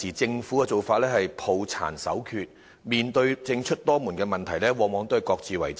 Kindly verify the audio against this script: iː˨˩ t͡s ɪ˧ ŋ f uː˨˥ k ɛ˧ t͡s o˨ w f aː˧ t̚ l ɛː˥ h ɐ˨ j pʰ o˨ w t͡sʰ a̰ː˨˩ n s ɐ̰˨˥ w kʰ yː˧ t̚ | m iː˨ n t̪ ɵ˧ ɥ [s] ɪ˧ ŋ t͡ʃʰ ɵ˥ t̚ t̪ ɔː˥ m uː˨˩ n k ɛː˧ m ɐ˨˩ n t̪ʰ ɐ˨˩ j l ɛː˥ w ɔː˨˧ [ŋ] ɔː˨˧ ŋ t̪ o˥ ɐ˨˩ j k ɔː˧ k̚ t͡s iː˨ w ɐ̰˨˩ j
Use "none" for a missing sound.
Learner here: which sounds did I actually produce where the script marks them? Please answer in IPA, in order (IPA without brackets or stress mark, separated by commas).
t͡s, m